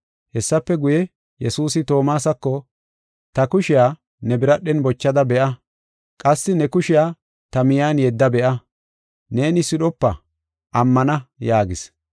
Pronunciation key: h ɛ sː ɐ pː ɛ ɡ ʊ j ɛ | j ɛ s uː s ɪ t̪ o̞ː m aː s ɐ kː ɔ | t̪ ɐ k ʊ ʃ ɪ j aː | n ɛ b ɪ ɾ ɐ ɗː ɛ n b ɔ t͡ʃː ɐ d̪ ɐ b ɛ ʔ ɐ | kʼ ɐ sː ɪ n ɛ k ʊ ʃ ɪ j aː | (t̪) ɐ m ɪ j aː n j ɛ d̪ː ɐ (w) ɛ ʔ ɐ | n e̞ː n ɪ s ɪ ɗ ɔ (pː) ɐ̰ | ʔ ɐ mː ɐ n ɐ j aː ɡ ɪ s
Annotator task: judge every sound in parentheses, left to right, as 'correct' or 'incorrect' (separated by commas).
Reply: correct, incorrect, correct